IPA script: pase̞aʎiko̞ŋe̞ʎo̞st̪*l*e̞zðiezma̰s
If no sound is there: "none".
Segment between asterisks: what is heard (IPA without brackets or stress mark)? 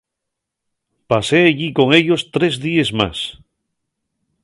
ɾ